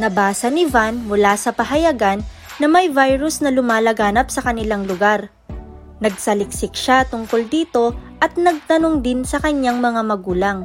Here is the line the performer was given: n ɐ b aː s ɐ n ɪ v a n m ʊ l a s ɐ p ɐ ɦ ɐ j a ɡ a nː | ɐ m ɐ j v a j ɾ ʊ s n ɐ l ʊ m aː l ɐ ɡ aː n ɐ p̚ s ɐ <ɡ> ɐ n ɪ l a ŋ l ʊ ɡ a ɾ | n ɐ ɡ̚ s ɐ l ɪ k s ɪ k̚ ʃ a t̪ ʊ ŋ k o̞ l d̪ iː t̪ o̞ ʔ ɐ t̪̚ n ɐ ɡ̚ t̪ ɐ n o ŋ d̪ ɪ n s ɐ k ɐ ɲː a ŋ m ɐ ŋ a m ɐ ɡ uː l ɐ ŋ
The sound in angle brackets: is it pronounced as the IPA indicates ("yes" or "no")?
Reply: no